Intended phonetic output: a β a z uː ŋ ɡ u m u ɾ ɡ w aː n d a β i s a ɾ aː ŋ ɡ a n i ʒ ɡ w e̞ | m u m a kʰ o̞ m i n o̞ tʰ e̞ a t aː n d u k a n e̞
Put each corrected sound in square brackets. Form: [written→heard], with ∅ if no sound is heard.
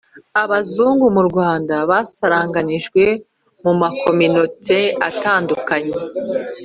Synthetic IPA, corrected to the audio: a β a z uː ŋ ɡ u m u ɾ ɡ w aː n d a β [i→a] s a ɾ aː ŋ ɡ a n i ʒ ɡ w e̞ | m u m a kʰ o̞ m i n o̞ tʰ e̞ a t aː n d u k a [n→ɲ] e̞